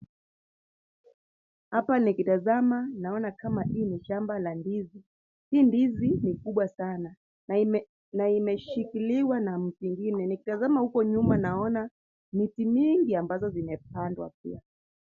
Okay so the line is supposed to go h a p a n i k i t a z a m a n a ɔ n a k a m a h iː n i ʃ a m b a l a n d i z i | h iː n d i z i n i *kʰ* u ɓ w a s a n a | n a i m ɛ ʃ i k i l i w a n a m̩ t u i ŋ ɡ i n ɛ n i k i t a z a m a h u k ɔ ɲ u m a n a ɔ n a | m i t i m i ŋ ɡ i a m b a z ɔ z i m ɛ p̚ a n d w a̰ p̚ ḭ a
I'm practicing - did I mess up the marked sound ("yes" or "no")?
yes